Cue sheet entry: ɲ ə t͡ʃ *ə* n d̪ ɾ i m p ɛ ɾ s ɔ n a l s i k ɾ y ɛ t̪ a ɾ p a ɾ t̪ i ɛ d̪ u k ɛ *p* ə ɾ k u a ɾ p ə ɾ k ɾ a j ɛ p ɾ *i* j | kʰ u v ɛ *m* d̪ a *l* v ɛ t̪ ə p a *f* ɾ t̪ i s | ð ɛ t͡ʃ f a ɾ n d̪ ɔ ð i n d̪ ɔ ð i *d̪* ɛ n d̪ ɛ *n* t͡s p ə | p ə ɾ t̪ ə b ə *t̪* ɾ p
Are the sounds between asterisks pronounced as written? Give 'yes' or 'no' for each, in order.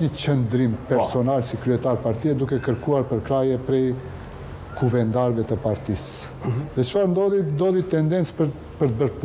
yes, no, no, no, no, no, no, yes, no

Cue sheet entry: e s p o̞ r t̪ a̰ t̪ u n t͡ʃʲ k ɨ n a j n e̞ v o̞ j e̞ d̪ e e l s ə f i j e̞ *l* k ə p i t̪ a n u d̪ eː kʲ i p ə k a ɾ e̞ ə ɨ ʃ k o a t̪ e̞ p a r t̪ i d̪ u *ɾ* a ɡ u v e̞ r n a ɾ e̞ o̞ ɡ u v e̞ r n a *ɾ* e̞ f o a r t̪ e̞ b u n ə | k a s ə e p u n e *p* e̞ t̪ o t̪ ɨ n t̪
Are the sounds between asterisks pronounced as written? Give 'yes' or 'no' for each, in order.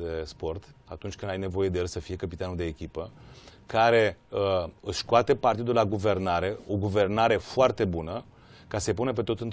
no, no, yes, yes

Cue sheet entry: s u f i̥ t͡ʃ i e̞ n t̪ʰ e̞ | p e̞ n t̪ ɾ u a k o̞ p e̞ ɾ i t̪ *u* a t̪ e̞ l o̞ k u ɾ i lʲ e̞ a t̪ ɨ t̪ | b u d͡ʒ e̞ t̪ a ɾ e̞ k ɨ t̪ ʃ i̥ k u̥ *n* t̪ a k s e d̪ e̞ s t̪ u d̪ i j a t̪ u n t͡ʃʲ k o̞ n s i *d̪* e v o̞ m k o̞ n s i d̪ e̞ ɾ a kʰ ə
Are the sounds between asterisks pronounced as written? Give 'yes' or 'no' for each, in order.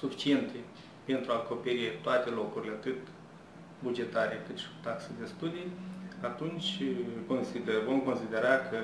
no, no, yes

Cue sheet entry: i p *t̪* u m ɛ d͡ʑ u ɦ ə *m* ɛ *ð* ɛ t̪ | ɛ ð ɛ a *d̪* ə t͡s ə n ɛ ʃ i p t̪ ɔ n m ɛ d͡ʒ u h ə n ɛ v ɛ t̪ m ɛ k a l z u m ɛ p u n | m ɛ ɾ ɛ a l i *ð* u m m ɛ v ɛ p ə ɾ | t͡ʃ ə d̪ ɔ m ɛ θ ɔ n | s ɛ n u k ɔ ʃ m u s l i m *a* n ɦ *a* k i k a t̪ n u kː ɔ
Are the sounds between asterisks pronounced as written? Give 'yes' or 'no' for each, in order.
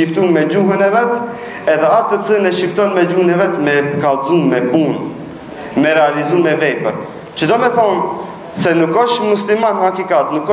yes, no, no, no, no, yes, yes

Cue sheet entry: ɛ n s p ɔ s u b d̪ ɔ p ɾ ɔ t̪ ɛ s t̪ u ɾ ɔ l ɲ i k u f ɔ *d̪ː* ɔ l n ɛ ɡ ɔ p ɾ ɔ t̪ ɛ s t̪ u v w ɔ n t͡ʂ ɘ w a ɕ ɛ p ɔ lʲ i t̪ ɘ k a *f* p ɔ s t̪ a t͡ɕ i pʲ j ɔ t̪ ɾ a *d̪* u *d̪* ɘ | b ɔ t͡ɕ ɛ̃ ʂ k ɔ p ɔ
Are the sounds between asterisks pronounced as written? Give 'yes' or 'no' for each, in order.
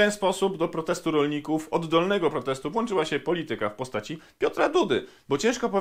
yes, yes, yes, yes

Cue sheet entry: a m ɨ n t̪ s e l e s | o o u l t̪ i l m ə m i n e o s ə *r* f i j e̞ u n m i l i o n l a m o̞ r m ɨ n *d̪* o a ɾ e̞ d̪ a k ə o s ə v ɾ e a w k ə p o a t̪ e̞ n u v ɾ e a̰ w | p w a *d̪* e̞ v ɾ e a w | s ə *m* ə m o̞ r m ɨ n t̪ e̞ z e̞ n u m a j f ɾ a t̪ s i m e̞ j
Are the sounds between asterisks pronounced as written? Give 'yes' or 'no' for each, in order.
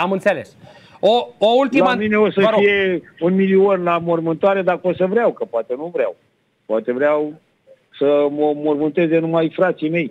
no, no, no, yes

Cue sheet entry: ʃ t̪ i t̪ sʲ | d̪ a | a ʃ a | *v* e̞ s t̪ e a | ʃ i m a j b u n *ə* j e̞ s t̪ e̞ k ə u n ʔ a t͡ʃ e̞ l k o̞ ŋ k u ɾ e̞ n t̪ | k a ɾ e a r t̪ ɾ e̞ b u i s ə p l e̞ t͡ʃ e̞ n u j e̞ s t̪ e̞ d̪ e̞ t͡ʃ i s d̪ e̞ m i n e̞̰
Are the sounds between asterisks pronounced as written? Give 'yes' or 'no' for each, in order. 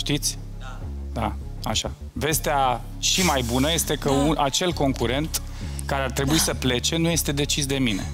yes, yes

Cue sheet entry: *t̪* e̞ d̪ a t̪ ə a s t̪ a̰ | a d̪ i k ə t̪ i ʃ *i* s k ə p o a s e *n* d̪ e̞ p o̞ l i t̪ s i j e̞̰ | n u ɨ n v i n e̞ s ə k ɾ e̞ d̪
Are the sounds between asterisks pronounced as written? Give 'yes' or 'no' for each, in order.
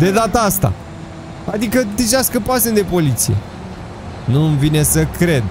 no, no, yes

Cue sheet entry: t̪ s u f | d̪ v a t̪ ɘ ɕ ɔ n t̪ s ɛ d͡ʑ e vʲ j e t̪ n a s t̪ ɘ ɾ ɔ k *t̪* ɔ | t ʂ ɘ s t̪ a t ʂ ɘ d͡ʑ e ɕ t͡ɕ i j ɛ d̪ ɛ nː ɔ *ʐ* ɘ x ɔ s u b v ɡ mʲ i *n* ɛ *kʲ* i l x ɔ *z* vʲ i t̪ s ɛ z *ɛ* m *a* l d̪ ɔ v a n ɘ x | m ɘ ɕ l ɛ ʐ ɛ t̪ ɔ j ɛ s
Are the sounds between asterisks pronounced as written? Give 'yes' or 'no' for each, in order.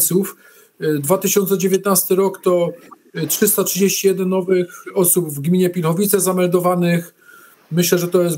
yes, no, no, no, no, no, no

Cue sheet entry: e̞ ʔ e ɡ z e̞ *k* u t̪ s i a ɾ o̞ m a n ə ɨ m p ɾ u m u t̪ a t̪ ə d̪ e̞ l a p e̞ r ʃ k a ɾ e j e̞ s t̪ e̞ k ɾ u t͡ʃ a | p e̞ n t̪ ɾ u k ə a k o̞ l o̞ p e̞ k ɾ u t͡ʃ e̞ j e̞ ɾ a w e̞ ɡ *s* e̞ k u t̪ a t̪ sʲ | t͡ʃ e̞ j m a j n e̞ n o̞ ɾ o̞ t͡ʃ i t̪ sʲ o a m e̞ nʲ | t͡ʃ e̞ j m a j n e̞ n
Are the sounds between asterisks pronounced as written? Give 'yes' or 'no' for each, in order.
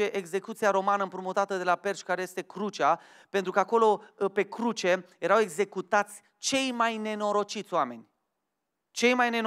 yes, no

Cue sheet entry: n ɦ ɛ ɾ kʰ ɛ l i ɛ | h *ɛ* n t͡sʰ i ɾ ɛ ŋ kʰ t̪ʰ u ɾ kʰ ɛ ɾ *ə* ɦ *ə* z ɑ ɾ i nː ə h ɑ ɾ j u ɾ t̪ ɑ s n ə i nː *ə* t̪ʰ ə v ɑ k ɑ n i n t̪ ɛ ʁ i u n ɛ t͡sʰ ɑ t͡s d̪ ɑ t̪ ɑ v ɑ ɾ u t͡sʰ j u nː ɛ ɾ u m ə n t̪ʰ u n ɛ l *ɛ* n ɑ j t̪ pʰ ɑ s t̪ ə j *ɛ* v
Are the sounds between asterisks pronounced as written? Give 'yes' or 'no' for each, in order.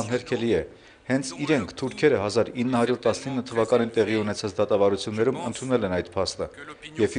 yes, yes, no, yes, yes, yes

